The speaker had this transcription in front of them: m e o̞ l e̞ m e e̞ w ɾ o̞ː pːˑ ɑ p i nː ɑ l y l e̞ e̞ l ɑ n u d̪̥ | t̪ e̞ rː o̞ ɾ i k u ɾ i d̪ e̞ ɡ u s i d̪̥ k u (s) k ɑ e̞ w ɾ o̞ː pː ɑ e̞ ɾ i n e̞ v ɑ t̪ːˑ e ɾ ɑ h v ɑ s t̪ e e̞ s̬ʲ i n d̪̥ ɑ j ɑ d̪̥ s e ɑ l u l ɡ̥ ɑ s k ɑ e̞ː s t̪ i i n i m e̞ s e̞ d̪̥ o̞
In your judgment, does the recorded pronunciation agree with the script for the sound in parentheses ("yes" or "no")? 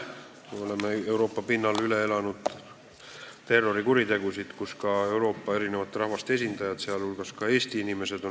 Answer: yes